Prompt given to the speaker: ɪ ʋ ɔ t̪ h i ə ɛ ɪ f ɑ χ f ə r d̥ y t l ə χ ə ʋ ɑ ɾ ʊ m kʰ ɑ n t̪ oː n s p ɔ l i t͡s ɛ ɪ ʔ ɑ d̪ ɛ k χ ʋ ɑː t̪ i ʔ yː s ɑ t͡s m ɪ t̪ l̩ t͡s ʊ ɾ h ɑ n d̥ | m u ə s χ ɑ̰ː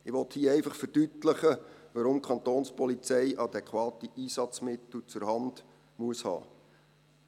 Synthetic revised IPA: ɪ ʋ ɔ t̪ h i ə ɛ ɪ f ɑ χ f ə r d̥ y t l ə χ ə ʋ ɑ ɾ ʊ m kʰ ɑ n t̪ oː n s p ɔ l i t͡s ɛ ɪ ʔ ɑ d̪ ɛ k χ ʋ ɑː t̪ i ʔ iː s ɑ t͡s m ɪ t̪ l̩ t͡s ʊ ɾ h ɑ n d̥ | m u ə s h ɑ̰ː